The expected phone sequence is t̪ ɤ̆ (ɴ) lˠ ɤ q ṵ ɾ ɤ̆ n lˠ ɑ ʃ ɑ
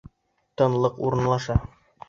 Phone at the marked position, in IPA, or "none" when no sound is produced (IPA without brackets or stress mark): n